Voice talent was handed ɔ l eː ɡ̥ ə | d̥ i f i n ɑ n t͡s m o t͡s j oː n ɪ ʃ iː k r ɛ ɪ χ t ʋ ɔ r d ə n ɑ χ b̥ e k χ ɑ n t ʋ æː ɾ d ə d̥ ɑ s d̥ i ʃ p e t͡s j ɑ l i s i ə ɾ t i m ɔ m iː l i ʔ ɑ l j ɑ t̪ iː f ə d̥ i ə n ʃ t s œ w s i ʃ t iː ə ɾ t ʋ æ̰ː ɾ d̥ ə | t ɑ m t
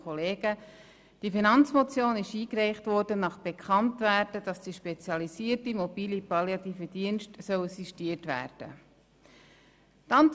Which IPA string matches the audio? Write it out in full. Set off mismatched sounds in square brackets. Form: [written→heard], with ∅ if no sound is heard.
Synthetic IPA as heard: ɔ l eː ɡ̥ ə | d̥ i f i n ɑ n t͡s m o t͡s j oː n ɪ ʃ iː k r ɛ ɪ χ t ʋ ɔ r d ə n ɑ χ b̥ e k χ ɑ n t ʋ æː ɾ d ə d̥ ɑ s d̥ i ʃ p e t͡s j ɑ l i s i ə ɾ t i m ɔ [m→b] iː l i [ʔ→p] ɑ l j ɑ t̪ iː f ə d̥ i ə n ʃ t s œ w s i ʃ t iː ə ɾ t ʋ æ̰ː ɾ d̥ ə | t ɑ [m→n] t